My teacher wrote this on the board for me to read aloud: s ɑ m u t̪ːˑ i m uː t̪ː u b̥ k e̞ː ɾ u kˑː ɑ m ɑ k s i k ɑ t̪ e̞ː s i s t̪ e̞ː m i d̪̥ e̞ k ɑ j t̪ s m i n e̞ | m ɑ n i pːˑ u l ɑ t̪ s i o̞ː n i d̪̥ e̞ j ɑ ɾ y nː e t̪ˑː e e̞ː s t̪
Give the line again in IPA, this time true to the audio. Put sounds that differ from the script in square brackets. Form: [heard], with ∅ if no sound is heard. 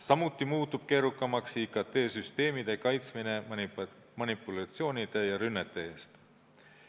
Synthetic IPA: s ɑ m u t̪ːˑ i m uː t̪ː u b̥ k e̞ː ɾ u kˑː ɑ m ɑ k s i k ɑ t̪ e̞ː s [y] s t̪ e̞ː m i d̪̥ e̞ k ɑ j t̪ s m i n e̞ | m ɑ n i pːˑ u l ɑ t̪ s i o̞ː n i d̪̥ e̞ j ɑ ɾ y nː e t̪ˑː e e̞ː s t̪

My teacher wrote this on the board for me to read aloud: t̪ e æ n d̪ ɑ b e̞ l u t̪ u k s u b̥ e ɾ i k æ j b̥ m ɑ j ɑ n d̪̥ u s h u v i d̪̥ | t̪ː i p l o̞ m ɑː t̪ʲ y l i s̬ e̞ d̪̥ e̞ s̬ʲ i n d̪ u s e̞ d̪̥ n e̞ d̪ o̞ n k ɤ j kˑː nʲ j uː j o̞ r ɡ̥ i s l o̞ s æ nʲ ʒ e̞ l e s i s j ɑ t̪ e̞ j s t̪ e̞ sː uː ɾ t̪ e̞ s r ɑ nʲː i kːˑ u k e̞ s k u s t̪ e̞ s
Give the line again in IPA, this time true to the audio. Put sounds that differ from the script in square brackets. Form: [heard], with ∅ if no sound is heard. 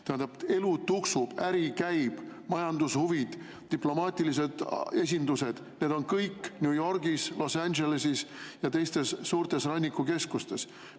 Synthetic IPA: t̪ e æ n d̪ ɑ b e̞ l u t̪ u k s u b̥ [æ] ɾ i k æ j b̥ m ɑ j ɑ n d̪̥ u s h u v i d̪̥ | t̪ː i p l o̞ m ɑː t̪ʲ [i] l i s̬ e̞ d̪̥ e̞ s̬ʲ i n d̪ u s e̞ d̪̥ n e̞ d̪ o̞ n k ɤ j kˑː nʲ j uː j o̞ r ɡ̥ i s l o̞ s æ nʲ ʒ e̞ l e s i s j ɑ t̪ e̞ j s t̪ e̞ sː uː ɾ t̪ e̞ s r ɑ nʲː i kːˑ u k e̞ s k u s t̪ e̞ s

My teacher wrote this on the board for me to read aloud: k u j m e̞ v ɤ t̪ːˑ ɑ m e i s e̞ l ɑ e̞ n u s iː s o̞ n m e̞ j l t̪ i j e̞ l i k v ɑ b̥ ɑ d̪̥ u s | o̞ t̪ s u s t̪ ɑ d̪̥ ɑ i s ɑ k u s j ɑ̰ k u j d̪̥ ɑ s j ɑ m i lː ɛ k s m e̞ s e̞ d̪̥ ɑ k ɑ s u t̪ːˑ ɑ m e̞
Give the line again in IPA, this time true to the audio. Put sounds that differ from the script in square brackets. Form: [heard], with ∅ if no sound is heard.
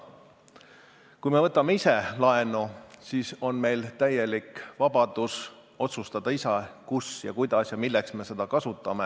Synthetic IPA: k u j m e̞ v ɤ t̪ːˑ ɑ m e i s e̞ l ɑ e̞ n u s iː s o̞ n m e̞ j l t̪ [æ] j e̞ l i k v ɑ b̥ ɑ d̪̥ u s | o̞ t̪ s u s t̪ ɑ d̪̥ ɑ i s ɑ k u s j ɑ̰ k u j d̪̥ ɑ s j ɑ m i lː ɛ k s m e̞ s e̞ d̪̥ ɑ k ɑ s u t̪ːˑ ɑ m e̞

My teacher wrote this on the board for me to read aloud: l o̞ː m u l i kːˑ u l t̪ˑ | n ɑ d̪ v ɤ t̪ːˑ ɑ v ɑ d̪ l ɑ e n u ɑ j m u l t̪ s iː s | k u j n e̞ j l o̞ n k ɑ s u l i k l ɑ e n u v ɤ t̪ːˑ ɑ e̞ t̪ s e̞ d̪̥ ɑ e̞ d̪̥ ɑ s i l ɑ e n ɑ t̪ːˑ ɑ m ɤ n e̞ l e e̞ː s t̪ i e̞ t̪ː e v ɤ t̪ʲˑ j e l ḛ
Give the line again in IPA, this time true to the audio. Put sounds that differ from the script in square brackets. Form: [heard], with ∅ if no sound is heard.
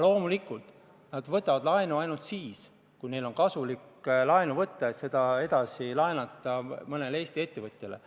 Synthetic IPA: l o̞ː m u l i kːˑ u l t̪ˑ | n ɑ d̪ v ɤ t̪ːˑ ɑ v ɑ d̪ l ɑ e n u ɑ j [n] u l t̪ s iː s | k u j n e̞ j l o̞ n k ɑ s u l i k l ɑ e n u v ɤ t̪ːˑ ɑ e̞ t̪ s e̞ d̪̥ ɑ e̞ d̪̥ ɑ s i l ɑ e n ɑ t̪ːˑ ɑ m ɤ n e̞ l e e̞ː s t̪ i e̞ t̪ː e v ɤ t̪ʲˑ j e l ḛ

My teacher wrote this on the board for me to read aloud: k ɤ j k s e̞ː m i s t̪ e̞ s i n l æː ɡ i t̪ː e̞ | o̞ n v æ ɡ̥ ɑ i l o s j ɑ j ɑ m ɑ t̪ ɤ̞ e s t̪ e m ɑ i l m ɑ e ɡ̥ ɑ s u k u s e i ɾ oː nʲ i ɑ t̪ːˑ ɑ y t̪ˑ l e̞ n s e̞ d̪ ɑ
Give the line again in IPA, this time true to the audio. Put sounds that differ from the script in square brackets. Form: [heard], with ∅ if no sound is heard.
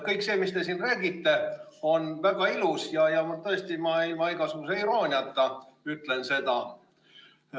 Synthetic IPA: k ɤ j k s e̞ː m i s t̪ e̞ s i n [r] æː ɡ i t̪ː e̞ | o̞ n v æ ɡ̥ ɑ i l [u] s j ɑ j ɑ m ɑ t̪ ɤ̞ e s t̪ [i] m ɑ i l m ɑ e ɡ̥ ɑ s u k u s e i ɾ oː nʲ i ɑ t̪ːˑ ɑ y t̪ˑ l e̞ n s e̞ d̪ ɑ

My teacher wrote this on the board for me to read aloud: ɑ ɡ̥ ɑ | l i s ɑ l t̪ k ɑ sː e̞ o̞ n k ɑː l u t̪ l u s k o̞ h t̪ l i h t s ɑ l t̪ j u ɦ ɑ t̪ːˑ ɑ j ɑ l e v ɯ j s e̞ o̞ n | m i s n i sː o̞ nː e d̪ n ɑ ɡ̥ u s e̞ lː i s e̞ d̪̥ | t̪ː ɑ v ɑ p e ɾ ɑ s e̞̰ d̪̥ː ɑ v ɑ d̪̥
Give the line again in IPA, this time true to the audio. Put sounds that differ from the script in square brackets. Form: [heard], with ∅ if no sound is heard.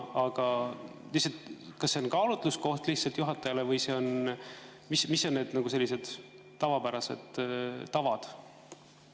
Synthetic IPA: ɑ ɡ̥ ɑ | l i s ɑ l t̪ k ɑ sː e̞ o̞ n k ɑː l u t̪ l u s k o̞ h t̪ l i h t s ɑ l t̪ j u ɦ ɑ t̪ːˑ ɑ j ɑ l e v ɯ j s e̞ o̞ n | m i s [m] i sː o̞ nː e d̪ n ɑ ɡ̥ u s e̞ lː i s e̞ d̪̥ | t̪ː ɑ v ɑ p [æ] ɾ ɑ s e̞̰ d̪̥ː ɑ v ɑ d̪̥

